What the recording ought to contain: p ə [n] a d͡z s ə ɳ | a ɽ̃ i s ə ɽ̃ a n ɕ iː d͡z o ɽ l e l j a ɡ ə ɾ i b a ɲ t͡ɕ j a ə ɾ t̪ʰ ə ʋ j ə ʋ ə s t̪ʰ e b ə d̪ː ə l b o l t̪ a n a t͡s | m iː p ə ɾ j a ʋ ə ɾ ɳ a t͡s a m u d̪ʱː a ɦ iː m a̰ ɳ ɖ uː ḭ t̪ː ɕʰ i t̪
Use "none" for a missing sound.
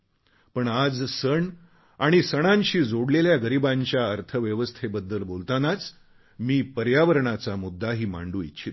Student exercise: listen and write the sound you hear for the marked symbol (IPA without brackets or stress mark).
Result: ɳ